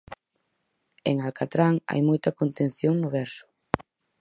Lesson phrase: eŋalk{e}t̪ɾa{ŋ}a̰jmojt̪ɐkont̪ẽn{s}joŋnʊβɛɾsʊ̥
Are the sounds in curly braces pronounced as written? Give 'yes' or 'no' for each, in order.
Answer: no, yes, no

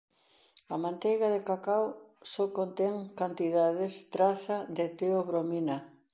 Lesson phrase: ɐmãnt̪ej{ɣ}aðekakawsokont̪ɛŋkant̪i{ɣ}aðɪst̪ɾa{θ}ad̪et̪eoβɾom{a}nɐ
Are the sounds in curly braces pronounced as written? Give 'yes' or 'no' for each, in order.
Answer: yes, no, yes, no

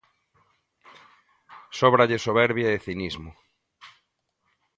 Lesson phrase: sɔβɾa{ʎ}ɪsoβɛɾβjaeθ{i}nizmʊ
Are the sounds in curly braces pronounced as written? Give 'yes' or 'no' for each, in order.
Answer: yes, yes

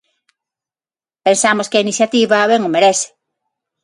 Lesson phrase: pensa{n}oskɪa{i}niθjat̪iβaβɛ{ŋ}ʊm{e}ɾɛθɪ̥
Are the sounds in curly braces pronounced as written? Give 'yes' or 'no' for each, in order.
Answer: no, yes, yes, yes

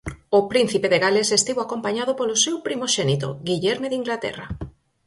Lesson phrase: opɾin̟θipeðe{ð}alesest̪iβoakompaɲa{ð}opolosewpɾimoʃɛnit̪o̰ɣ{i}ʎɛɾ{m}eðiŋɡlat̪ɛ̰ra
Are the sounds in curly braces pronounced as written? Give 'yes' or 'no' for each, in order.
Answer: no, yes, yes, yes

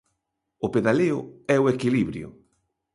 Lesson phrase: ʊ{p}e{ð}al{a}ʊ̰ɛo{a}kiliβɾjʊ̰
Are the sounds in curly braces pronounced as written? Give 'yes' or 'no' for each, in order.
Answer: yes, yes, no, no

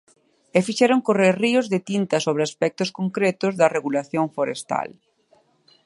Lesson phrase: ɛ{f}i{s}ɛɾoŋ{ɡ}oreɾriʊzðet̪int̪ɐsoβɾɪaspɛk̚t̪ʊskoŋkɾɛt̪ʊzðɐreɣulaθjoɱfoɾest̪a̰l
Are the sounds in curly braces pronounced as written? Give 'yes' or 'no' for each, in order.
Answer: yes, no, no

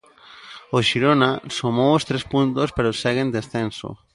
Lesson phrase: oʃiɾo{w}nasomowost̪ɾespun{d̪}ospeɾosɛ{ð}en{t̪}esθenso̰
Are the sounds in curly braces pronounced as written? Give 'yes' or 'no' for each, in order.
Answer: no, no, no, no

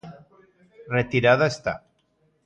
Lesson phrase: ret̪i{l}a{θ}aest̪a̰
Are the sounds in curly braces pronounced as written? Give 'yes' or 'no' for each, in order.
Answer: no, no

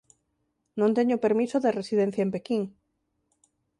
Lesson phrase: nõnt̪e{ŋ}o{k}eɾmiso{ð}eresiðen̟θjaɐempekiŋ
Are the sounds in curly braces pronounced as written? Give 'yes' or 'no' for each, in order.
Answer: no, no, yes

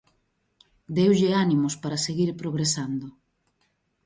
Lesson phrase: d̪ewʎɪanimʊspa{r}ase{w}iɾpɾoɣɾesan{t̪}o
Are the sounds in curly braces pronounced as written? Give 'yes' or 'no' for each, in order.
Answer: no, no, no

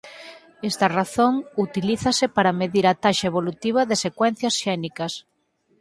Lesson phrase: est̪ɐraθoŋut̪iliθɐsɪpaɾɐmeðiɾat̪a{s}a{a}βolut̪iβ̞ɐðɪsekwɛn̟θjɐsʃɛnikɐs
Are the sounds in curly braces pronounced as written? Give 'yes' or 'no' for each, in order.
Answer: no, no

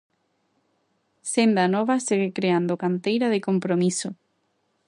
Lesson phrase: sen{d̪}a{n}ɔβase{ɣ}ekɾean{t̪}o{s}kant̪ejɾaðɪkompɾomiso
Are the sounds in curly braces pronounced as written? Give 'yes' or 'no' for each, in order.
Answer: yes, yes, yes, no, no

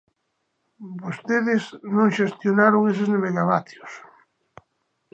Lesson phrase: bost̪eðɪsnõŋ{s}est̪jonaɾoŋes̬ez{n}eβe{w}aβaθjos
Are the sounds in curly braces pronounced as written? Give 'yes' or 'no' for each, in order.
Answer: no, yes, no

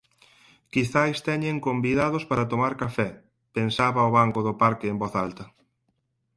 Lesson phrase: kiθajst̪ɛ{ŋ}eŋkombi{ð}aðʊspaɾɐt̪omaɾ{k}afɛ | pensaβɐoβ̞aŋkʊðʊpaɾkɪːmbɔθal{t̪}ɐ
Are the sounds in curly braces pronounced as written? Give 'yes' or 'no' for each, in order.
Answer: no, yes, yes, yes

